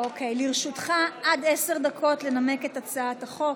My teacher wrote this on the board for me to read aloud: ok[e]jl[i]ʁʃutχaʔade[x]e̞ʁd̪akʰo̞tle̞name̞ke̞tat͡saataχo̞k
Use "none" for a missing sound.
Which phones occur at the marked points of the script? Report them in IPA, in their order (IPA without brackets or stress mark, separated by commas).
e, i, s